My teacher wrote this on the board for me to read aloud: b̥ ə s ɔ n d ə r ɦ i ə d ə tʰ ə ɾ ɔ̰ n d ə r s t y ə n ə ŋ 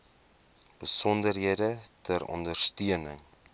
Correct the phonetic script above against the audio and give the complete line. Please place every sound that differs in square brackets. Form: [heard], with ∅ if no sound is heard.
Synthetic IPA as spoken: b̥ ə s ɔ n d ə r ɦ i ə d ə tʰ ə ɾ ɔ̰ n d ə r s t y ə n ə ŋ